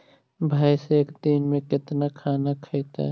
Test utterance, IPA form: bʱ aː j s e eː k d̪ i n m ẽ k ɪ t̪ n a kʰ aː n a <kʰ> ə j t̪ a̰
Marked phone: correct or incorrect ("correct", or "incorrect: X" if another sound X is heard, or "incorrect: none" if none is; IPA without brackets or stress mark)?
correct